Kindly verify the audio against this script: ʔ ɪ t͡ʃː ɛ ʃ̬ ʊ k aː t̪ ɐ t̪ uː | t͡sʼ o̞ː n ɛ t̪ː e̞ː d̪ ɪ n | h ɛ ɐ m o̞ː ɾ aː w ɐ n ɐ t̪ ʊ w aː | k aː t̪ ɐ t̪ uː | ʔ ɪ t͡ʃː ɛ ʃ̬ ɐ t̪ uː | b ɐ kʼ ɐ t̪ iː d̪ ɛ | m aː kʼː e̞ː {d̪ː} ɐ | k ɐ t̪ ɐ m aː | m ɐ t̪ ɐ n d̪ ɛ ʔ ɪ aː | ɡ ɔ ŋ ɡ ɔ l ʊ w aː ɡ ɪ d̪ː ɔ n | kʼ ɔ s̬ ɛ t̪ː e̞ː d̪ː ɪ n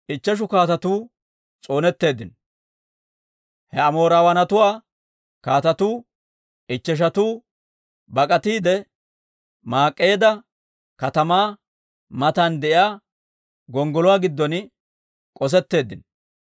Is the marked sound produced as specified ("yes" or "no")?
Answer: no